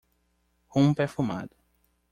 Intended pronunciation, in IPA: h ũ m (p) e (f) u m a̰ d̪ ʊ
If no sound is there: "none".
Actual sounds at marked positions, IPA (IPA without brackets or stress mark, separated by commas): p, f